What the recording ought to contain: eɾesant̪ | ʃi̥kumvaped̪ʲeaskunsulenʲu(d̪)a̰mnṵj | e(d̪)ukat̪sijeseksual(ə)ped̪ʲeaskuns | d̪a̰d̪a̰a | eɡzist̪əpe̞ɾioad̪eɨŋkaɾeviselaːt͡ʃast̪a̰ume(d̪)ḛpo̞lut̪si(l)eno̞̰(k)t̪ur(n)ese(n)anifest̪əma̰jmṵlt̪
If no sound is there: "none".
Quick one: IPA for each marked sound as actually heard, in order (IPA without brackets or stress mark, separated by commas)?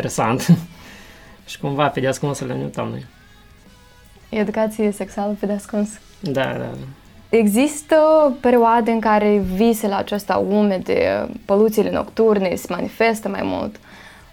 t̪, d̪, ə, d̪, l, k, n, m